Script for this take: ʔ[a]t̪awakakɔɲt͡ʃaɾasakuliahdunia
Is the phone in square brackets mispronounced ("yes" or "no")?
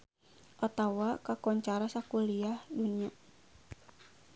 no